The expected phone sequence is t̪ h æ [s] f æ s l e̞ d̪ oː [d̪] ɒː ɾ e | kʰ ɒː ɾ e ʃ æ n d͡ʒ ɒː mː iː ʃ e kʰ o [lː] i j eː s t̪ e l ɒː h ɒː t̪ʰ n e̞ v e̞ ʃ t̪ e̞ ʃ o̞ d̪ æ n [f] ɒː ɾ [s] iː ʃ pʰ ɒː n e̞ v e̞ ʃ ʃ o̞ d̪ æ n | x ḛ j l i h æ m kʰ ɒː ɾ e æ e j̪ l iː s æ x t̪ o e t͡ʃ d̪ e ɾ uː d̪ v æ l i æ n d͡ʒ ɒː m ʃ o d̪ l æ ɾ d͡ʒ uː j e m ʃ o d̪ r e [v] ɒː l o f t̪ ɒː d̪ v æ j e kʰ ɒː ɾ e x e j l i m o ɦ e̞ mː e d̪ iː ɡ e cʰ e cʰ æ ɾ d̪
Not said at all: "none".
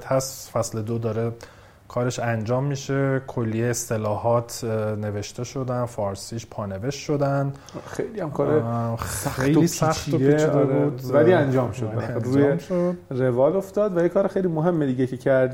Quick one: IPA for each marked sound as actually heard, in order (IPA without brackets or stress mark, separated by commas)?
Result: s, d̪, lː, f, s, v